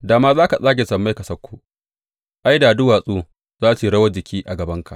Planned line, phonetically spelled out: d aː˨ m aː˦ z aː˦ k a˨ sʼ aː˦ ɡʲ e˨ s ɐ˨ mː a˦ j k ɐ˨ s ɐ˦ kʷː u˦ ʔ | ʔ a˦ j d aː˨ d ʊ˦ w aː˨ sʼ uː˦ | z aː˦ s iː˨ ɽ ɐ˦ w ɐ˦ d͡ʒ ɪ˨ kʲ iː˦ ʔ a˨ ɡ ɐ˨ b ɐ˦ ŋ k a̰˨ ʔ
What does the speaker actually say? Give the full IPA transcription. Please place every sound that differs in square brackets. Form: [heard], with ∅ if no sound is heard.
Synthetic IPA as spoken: d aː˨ m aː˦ z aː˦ k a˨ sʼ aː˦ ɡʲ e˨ s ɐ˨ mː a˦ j k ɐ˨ s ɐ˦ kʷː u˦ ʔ | ʔ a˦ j d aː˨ d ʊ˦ w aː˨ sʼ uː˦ | z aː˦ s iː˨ ɽ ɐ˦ w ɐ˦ d͡ʒ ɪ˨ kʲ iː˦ ʔ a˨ ɡ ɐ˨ b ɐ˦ ŋ k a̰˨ ʔ